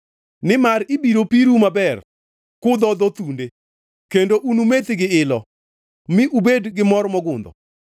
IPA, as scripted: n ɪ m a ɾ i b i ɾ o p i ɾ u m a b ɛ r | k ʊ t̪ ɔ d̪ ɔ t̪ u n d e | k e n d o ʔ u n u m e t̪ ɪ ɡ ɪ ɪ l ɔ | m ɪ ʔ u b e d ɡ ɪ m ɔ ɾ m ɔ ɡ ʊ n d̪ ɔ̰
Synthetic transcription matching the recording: n ɪ m a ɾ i b i ɾ o p i ɾ u m a b ɛ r | k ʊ d̪ ɔ d̪ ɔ t̪ u n d e | k e n d o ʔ u n u m e t̪ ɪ ɡ ɪ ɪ l ɔ | m ɪ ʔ u b e d ɡ ɪ m ɔ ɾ m ɔ ɡ ʊ n d̪ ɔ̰